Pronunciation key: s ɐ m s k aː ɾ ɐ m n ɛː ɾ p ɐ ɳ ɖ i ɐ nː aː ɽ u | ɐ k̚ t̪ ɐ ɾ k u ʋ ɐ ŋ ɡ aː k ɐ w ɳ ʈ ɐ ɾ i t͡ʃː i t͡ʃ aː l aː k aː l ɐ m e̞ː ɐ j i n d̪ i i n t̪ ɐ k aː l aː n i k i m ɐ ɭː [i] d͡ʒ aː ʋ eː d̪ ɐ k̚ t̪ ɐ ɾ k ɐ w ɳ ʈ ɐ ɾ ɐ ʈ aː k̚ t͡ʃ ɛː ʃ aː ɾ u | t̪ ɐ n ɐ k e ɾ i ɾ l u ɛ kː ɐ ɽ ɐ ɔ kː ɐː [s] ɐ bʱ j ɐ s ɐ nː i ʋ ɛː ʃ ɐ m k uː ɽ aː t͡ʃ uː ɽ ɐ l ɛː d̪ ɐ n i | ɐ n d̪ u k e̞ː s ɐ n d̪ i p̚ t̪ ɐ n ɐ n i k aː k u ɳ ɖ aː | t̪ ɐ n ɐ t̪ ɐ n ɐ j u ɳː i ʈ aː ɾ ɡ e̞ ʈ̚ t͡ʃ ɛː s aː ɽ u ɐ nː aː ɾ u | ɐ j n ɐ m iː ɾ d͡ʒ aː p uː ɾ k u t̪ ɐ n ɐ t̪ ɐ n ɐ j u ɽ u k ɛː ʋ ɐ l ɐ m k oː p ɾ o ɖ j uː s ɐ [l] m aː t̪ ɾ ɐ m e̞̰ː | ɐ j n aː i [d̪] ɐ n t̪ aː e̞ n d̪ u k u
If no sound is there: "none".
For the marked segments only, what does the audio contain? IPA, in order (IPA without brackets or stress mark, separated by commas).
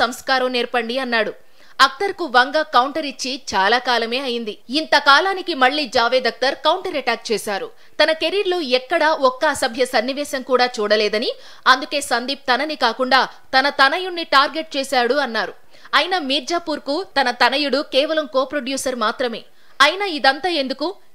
iː, s, ɾ, d̪